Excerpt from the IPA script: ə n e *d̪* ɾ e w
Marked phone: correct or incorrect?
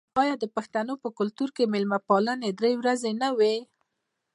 correct